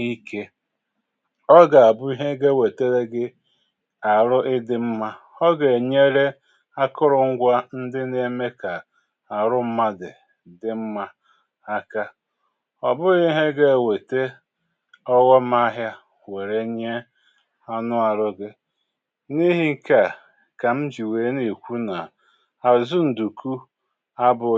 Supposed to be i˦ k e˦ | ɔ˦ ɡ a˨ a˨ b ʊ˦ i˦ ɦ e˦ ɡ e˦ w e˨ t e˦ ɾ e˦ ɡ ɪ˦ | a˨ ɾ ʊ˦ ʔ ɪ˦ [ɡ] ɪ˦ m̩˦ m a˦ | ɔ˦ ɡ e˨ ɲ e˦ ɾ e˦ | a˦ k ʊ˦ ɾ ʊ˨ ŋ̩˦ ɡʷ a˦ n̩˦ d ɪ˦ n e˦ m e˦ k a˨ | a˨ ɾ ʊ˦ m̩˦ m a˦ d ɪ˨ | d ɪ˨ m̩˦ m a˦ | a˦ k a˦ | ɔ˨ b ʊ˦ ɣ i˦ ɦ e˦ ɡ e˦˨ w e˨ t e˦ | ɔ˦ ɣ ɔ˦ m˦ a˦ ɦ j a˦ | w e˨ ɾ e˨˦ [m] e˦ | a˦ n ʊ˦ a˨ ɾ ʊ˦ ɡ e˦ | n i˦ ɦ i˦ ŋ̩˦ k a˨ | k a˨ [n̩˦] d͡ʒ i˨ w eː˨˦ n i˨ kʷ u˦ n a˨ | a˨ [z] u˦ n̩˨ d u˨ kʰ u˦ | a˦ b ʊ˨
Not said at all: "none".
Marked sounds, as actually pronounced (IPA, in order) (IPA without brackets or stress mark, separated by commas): d, ɲ, m̩˦, z